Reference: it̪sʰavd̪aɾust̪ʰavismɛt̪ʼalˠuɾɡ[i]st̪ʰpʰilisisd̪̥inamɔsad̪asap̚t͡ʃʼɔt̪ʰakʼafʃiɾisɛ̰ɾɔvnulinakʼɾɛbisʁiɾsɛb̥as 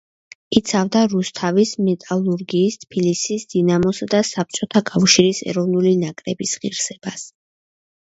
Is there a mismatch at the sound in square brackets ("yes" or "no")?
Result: yes